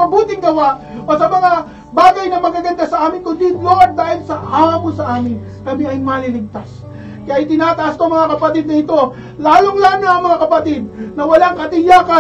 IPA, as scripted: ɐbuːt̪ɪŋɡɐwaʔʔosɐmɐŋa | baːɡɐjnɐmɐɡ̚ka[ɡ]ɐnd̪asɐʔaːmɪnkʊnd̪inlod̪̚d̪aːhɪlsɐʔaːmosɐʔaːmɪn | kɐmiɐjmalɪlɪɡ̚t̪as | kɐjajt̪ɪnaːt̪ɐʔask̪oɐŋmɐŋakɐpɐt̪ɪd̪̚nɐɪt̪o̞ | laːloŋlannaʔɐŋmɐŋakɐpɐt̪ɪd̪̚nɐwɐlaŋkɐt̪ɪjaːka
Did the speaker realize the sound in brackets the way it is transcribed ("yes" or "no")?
yes